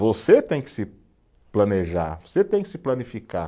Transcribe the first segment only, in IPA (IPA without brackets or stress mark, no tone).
v